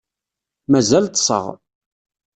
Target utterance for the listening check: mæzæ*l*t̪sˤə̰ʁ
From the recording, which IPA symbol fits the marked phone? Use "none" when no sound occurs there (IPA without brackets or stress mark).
l